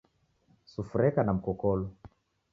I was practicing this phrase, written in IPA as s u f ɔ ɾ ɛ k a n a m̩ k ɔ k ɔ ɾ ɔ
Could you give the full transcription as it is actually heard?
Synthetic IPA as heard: s u f u ɾ ɛ k a n a m̩ k ɔ k ɔ l ɔ